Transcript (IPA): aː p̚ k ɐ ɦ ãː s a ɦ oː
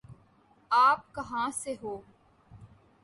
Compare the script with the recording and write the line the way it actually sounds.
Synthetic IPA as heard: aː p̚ k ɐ ɦ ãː s e ɦ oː